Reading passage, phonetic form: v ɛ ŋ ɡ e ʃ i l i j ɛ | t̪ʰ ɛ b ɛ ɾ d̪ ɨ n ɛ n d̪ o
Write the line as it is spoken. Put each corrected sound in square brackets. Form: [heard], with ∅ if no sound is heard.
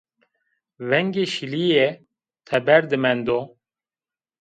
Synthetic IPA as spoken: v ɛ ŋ ɡ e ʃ i l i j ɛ | t̪ʰ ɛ b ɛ ɾ d̪ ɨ [m] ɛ n d̪ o

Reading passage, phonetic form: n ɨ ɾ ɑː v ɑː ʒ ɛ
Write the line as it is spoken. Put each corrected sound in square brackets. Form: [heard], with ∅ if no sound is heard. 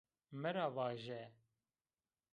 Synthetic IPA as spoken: [m] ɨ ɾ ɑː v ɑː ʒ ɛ

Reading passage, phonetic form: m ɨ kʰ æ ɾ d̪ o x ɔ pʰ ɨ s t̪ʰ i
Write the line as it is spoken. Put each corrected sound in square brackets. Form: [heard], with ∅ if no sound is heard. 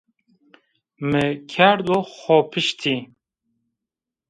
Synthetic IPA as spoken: m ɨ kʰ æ ɾ d̪ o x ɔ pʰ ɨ [ʃ] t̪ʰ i

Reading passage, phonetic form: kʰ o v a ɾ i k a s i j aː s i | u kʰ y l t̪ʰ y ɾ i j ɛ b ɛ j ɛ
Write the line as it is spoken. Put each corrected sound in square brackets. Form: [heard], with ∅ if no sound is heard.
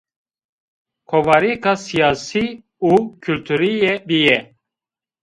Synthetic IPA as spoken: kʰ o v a ɾ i k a s i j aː s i | u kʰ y l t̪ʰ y ɾ i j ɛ b [i] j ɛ

